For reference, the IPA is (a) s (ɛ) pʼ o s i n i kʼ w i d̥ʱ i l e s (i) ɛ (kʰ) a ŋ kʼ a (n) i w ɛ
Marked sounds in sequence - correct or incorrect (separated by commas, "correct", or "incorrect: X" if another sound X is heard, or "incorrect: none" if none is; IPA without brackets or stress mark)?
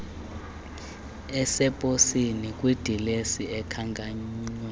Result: incorrect: ɛ, correct, correct, correct, incorrect: ɲ